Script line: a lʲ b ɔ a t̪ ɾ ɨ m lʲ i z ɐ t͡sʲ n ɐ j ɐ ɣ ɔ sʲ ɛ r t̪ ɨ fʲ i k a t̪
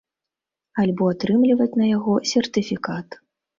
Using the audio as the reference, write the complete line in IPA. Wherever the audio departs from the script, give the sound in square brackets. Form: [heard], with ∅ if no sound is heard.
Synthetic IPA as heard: a lʲ b ɔ a t̪ ɾ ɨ m lʲ i [v] ɐ t͡sʲ n ɐ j [a] ɣ ɔ sʲ ɛ r t̪ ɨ fʲ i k a t̪